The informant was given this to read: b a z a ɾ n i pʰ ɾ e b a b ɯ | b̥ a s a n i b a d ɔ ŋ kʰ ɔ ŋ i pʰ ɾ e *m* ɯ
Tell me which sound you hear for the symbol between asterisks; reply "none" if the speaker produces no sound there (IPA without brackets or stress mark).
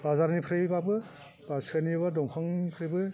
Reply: b